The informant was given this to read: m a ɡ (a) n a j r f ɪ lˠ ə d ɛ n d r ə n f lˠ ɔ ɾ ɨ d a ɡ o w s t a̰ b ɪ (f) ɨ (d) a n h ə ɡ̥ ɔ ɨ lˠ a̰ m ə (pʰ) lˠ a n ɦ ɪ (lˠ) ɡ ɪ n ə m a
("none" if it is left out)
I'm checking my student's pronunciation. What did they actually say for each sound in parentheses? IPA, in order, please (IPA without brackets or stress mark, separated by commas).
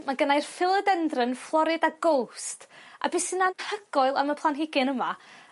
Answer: ə, s, n, pʰ, none